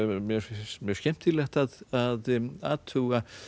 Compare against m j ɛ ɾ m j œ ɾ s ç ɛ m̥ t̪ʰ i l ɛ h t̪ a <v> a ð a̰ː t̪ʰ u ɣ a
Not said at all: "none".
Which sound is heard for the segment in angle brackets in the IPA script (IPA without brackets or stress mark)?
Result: ð